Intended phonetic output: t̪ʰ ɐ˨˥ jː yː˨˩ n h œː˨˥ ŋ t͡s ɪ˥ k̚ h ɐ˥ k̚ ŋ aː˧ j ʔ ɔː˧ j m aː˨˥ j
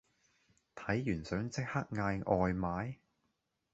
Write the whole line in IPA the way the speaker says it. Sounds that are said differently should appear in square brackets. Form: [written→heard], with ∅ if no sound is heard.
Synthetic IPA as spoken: t̪ʰ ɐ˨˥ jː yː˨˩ n [h→s] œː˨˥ ŋ t͡s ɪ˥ k̚ h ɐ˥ k̚ ŋ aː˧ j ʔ ɔː˧ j m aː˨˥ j